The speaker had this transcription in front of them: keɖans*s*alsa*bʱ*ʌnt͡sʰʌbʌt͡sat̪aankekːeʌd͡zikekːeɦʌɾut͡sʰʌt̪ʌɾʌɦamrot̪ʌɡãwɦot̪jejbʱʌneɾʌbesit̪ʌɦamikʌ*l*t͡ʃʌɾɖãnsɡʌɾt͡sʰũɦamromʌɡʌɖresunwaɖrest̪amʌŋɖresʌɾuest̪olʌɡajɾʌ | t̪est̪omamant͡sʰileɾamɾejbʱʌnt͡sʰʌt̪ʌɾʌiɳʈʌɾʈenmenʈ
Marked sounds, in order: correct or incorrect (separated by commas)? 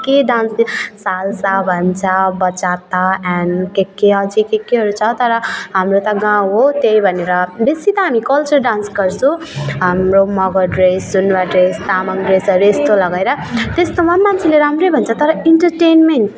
correct, correct, correct